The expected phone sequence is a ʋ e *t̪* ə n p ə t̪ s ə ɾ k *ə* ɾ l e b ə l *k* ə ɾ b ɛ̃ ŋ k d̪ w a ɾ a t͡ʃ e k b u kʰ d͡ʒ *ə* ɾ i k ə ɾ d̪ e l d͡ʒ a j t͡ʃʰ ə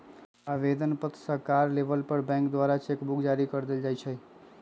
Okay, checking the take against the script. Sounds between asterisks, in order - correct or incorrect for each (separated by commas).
incorrect, incorrect, incorrect, incorrect